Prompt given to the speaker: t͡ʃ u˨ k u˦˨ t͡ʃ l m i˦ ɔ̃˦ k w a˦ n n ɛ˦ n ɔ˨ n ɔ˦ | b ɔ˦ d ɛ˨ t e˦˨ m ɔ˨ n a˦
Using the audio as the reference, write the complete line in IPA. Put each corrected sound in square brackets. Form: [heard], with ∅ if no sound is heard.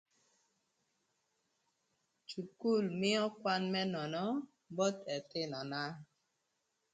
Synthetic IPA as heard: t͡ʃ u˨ k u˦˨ [∅] l m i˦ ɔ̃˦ k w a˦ n [m] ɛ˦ n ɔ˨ n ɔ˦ | b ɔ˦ [t] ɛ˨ t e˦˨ [n] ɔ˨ n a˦